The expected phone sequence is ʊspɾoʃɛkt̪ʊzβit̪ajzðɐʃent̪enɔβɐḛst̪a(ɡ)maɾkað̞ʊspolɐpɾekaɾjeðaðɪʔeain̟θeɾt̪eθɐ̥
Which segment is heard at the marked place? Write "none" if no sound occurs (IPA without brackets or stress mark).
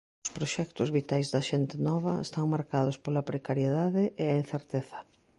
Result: ŋ